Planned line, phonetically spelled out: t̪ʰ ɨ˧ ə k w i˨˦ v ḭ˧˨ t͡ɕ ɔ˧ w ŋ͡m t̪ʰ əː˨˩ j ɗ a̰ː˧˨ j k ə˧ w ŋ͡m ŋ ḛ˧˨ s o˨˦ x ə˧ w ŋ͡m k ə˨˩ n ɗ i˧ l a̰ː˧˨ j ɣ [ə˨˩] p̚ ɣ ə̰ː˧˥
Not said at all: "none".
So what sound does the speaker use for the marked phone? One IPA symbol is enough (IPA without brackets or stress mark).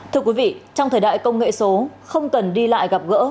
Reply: a˨˩